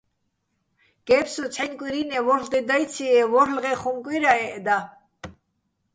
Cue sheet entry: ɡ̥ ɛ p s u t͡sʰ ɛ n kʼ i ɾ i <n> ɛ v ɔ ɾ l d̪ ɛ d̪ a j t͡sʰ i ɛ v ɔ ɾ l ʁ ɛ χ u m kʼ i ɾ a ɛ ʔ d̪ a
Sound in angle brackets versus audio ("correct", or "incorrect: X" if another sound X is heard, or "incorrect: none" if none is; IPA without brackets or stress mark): correct